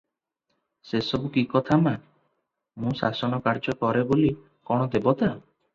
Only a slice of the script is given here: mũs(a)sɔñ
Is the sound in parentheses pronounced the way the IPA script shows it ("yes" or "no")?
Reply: yes